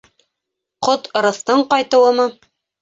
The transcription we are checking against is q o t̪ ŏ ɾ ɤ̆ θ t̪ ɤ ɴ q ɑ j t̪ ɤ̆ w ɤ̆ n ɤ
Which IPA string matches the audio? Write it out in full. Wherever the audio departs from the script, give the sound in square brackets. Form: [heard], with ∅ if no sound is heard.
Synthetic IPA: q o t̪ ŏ ɾ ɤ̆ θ t̪ ɤ ɴ q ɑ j t̪ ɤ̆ w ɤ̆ [m] ɤ